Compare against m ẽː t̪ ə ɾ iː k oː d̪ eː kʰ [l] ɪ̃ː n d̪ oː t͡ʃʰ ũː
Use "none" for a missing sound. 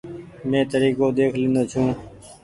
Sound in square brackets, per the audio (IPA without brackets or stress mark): l